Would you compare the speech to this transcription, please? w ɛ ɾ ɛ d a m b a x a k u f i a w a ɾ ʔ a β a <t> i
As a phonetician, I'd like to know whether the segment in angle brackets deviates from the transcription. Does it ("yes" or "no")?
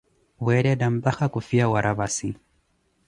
yes